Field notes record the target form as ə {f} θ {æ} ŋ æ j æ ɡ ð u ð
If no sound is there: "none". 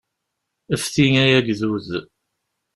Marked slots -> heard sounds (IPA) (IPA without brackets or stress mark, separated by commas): f, i